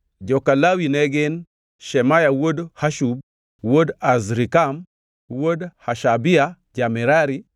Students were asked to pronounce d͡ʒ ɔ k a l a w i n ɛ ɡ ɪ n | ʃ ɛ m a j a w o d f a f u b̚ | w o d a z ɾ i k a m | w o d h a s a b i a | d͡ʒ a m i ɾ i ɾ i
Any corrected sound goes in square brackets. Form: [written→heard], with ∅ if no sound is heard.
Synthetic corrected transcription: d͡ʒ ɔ k a l a w i n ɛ ɡ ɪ n | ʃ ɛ m a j a w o d [f→h] a [f→ʃ] u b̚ | w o d a z ɾ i k a m | w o d h a [s→ʃ] a b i a | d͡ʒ a m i ɾ [i→a] ɾ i